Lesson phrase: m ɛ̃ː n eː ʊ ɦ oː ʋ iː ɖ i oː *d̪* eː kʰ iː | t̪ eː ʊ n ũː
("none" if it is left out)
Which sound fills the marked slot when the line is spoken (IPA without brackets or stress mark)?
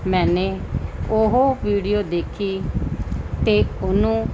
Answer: d̪